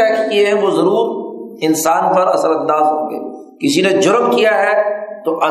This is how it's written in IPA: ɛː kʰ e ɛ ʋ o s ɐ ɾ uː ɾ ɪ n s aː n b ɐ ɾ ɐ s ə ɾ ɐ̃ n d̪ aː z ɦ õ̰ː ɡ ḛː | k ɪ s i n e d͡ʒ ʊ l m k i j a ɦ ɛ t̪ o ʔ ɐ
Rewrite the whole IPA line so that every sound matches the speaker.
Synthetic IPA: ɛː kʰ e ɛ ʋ o z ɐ ɾ uː ɾ ɪ n s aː n p ɐ ɾ ɐ s ə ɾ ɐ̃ n d̪ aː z ɦ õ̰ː ɡ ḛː | k ɪ s i n e d͡ʒ ʊ ɾ m k i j a ɦ ɛ t̪ o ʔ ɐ